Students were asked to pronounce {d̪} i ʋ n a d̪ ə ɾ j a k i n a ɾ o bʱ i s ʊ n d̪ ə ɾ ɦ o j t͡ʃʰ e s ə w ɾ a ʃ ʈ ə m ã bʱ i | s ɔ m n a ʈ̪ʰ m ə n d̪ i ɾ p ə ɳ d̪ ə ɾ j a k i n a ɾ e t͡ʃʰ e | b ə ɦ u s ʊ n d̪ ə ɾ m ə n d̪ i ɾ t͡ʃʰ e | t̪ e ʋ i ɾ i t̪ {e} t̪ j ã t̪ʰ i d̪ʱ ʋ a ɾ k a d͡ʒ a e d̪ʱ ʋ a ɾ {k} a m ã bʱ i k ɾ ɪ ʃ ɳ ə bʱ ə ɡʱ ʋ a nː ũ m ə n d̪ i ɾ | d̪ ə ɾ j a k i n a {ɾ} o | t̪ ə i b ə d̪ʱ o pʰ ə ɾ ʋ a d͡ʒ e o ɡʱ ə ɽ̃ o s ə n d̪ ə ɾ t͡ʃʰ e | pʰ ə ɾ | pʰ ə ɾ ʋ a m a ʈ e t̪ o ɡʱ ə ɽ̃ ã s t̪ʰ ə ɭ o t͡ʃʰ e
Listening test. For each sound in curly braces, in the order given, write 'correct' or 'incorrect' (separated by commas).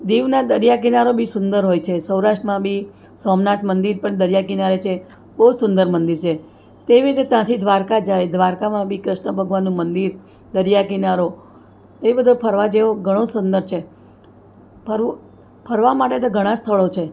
correct, correct, correct, correct